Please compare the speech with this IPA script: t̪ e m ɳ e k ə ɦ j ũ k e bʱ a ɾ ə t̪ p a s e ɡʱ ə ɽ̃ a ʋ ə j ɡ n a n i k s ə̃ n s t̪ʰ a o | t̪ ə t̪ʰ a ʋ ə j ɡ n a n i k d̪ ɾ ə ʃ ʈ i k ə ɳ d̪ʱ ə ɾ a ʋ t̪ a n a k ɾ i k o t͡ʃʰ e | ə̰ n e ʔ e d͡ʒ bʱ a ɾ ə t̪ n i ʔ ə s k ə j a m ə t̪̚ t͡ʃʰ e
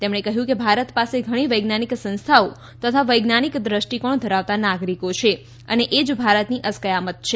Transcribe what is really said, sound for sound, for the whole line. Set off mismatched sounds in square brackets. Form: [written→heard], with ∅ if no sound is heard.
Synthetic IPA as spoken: t̪ e m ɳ e k ə ɦ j ũ k e bʱ a ɾ ə t̪ p a s e ɡʱ ə ɽ̃ [a→i] ʋ ə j ɡ n a n i k s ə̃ n s t̪ʰ a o | t̪ ə t̪ʰ a ʋ ə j ɡ n a n i k d̪ ɾ ə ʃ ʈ i k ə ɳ d̪ʱ ə ɾ a ʋ t̪ a n a [k→ɡ] ɾ i k o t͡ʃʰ e | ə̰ n e ʔ e d͡ʒ bʱ a ɾ ə t̪ n i ʔ ə s k ə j a m ə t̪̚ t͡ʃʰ e